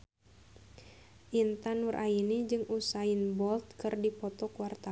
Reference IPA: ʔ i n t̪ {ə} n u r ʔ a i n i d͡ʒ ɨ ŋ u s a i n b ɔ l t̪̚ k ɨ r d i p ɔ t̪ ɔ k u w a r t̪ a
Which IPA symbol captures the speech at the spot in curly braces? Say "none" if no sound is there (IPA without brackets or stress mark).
a